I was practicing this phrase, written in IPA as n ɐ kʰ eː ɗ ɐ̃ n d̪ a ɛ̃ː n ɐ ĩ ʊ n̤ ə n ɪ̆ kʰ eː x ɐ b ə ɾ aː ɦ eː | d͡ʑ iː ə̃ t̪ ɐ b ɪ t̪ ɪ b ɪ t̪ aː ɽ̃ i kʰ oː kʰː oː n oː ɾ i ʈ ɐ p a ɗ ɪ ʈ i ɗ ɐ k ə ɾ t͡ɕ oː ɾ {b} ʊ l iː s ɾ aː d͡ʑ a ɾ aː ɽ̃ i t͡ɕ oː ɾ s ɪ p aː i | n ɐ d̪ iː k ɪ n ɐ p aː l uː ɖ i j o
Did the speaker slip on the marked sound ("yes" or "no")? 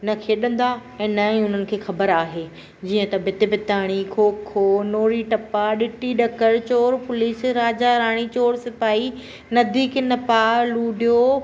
yes